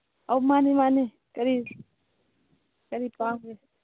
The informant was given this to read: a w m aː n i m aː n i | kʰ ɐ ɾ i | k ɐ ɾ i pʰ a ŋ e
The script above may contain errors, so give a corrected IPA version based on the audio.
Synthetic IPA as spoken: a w m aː n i m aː n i | k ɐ ɾ i | k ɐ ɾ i p a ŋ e